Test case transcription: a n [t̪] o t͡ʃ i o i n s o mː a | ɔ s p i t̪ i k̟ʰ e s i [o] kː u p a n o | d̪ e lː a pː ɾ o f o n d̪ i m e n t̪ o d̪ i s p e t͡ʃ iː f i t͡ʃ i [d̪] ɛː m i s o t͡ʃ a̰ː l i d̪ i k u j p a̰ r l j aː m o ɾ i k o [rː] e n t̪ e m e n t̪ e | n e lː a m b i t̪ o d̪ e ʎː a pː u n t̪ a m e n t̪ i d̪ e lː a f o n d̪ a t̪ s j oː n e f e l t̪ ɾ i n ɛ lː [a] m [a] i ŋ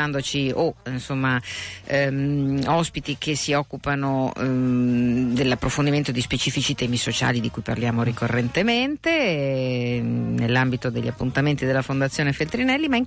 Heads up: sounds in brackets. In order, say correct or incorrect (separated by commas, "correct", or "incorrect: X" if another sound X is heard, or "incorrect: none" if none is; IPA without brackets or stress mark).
incorrect: d̪, incorrect: ɔ, incorrect: t̪, correct, incorrect: i, correct